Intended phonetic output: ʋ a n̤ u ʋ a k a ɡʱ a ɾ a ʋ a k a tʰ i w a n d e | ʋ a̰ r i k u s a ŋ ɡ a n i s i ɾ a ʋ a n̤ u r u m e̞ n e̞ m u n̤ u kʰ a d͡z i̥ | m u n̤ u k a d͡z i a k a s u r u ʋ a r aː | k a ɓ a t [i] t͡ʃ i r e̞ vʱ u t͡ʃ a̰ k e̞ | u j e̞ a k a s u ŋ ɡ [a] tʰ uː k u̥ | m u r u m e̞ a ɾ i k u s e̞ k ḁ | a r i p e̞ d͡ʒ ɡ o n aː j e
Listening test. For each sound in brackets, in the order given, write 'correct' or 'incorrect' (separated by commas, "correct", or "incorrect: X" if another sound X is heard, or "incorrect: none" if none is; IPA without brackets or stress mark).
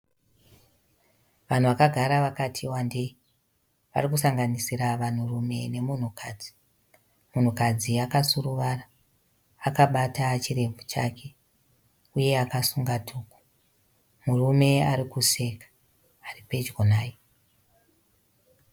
incorrect: a, correct